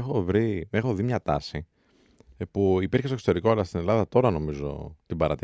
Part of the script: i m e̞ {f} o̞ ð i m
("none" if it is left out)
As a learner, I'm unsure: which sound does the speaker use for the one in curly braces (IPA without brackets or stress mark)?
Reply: x